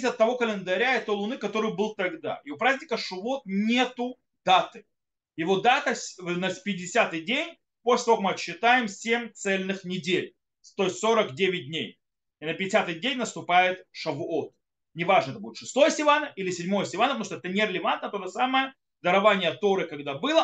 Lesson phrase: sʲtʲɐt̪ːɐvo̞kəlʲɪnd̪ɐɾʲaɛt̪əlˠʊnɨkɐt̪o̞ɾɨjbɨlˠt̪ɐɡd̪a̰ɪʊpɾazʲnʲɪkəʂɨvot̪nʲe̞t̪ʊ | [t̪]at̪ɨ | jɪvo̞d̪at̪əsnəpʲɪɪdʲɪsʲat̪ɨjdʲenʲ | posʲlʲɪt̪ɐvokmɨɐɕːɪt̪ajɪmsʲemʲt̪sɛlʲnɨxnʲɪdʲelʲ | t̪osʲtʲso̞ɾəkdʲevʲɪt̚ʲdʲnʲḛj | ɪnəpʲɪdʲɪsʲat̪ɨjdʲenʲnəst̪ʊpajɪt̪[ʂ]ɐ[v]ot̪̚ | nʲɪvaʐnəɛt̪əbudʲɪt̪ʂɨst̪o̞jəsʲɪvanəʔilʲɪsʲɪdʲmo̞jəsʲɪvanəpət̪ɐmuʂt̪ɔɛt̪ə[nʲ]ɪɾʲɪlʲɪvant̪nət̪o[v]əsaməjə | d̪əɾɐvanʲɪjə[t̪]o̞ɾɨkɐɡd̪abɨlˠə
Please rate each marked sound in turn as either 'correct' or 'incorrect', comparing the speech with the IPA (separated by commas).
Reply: incorrect, correct, correct, correct, incorrect, correct